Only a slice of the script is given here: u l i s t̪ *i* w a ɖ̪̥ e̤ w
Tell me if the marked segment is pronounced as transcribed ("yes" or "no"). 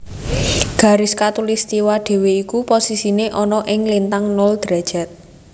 yes